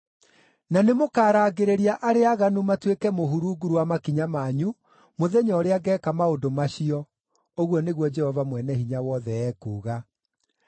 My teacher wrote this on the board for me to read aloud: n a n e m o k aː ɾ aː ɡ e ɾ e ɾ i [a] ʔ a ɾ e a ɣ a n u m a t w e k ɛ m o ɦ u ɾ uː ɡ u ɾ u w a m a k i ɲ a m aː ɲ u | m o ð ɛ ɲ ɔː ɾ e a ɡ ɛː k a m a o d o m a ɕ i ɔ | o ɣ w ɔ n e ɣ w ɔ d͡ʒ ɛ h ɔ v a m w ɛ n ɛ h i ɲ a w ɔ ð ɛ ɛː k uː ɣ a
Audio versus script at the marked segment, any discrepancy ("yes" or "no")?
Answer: no